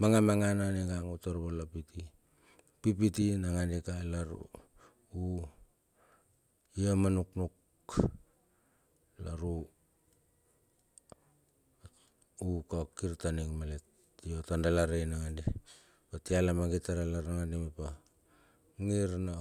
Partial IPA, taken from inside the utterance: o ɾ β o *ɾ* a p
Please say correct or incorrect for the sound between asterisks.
incorrect: l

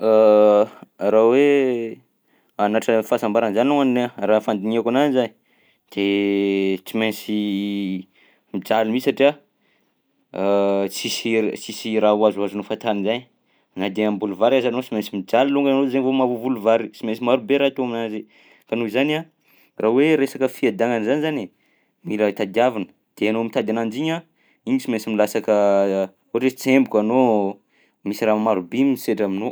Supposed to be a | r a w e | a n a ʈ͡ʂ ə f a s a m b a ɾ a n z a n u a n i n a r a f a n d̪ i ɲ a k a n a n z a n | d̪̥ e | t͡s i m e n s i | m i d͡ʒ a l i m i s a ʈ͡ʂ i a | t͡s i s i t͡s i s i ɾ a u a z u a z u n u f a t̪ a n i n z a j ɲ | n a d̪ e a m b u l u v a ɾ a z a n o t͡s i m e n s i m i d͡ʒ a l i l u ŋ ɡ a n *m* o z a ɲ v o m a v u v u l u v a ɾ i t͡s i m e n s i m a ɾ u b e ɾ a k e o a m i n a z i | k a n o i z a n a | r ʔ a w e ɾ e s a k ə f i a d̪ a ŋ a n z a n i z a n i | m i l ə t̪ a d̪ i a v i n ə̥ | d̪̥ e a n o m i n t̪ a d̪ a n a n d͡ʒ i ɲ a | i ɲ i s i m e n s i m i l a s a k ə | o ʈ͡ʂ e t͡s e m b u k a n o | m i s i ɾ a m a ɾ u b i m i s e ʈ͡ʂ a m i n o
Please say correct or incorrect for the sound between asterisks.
incorrect: n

